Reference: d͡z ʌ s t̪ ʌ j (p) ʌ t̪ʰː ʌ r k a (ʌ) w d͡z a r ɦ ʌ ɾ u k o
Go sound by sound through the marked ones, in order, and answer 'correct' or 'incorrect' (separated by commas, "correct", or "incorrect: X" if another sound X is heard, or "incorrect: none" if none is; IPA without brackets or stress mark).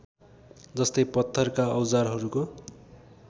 correct, correct